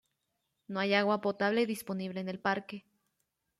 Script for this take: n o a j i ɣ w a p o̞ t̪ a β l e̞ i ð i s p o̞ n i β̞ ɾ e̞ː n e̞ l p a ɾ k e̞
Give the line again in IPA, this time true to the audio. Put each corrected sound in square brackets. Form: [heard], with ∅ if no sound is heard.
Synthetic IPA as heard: n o a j [a] ɣ w a p o̞ t̪ a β l e̞ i ð i s p o̞ n i β̞ [l] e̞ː n e̞ l p a ɾ k e̞